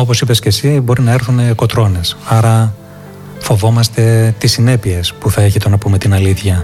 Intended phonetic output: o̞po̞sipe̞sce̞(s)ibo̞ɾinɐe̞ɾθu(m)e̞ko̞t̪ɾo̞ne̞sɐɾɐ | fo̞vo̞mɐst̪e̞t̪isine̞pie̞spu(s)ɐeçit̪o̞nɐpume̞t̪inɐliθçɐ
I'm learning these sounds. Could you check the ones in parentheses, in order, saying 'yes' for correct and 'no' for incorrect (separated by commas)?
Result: yes, no, no